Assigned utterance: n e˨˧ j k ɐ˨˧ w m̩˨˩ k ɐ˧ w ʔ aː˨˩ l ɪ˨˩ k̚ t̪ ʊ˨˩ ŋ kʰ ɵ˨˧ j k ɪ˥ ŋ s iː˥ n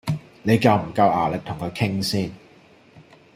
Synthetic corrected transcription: n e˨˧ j k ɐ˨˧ w m̩˨˩ k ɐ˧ w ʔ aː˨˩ l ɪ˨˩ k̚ t̪ʰ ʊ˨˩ ŋ kʰ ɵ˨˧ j kʰ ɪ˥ ŋ s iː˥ n

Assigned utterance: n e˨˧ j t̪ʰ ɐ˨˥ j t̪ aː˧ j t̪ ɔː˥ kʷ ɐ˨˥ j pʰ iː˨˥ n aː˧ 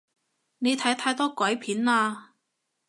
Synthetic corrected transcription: n e˨˧ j t̪ʰ ɐ˨˥ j t̪ʰ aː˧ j t̪ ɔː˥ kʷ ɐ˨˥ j pʰ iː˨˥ n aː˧

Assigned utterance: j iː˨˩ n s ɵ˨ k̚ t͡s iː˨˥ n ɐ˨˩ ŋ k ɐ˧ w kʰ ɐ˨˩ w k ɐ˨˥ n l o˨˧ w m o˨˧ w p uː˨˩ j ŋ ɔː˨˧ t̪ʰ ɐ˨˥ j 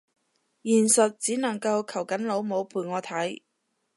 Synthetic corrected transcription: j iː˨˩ n s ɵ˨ t̚ t͡s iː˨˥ n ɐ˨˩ ŋ k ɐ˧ w kʰ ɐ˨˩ w k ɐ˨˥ n l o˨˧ w m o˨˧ w pʰ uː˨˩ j ŋ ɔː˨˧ t̪ʰ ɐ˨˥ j

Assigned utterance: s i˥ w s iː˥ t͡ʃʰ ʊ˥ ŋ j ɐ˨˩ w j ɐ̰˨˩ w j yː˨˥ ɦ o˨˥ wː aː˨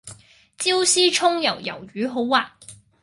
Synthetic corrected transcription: t͡s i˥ w s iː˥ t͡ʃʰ ʊ˥ ŋ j ɐ˨˩ w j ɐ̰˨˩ w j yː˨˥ ɦ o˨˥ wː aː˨

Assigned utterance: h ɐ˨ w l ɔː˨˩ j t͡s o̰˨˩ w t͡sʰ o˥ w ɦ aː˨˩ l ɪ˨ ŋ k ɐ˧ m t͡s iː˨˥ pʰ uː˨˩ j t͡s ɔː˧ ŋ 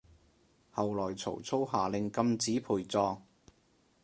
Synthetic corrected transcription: h ɐ˨ w l ɔː˨˩ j t͡sʰ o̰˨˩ w t͡sʰ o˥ w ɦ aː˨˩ l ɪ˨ ŋ k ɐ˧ m t͡s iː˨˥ pʰ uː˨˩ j t͡s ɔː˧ ŋ

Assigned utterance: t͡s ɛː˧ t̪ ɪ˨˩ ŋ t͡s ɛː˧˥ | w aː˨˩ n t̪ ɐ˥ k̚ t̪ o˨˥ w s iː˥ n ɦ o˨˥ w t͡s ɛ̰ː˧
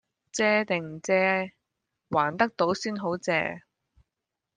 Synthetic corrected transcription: t͡s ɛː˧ t̪ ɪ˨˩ ŋ t͡s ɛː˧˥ | w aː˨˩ n t̪ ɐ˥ k̚ t̪ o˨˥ w s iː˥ n ɦ o˨˥ w t͡s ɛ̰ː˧

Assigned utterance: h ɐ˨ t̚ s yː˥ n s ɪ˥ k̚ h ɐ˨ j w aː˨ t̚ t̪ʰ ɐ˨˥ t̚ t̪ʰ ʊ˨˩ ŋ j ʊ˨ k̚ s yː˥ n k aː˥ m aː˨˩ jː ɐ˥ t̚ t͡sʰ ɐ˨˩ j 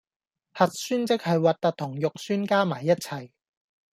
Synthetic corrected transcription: h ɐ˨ t̚ s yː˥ n t͡s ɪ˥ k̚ h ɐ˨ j w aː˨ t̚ t̪ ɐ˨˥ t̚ t̪ʰ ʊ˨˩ ŋ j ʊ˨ k̚ s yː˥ n k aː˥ m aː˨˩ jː ɐ˥ t̚ t͡sʰ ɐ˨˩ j

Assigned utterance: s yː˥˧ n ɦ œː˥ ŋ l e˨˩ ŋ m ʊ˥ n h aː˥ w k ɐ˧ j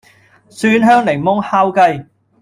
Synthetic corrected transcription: s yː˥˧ n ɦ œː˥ ŋ l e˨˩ ŋ m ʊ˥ ŋ h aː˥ w k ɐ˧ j

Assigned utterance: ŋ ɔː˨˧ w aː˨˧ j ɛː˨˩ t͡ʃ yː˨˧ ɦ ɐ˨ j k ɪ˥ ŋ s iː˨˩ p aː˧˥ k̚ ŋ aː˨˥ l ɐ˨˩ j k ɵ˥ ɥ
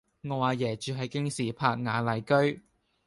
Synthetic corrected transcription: ŋ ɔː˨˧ w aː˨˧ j ɛː˨˩ t͡ʃ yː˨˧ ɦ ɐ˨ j k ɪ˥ ŋ s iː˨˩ pʰ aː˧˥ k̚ ŋ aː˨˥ l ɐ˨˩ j k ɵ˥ ɥ

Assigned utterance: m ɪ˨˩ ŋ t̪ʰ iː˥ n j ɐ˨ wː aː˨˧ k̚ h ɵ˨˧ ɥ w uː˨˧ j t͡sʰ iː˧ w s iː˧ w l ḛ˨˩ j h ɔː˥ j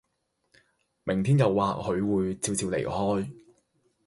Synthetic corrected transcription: m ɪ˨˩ ŋ t̪ʰ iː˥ n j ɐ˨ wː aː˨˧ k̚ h ɵ˨˧ ɥ w uː˨˧ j t͡s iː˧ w t͡s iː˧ w l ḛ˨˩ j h ɔː˥ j

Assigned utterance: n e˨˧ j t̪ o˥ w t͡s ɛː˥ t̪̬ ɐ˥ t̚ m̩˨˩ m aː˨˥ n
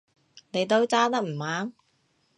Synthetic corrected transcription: n e˨˧ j t̪ o˥ w t͡s aː˥ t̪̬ ɐ˥ k̚ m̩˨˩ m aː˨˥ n

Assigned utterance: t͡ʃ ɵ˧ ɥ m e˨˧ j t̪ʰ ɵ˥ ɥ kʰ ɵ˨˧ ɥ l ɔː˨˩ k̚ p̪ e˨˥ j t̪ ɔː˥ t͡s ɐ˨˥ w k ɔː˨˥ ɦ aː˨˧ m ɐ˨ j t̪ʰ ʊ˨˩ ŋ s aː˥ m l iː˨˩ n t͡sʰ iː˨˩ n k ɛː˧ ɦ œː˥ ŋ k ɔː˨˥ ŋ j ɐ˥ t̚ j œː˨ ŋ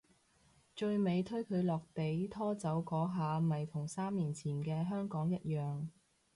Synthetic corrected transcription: t͡ʃ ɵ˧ ɥ m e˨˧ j t̪ʰ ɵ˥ ɥ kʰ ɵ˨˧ ɥ l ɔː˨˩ k̚ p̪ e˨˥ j t̪ʰ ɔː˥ t͡s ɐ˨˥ w k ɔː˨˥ ɦ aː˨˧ m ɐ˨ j t̪ʰ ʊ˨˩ ŋ s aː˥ m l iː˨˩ n t͡sʰ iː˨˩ n k ɛː˧ ɦ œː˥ ŋ k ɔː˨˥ ŋ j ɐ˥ t̚ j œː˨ ŋ

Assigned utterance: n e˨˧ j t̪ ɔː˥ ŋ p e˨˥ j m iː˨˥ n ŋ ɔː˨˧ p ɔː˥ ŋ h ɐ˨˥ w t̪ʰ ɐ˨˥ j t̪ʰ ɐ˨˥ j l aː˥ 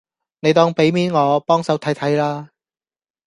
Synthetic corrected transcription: n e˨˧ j t̪ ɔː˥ ŋ p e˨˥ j m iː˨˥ n ŋ ɔː˨˧ p ɔː˥ ŋ s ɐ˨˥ w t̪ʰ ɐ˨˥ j t̪ʰ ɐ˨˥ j l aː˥

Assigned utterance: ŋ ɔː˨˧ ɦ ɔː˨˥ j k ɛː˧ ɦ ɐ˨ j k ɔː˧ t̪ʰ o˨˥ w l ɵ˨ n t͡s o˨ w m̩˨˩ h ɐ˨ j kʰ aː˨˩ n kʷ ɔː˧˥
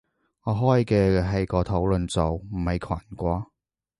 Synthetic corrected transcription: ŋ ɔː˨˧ ɦ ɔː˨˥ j k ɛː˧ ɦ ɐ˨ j k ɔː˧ t̪ʰ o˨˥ w l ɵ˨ n t͡s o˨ w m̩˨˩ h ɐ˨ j kʰ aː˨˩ n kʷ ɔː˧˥

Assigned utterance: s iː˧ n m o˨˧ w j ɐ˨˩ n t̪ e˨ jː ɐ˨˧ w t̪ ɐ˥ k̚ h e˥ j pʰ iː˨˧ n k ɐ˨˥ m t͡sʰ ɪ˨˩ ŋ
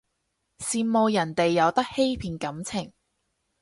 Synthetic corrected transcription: s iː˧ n m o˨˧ w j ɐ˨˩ n t̪ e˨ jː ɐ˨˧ w t̪ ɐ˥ k̚ h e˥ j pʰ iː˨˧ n k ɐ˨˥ m t͡sʰ ɪ˨˩ ŋ

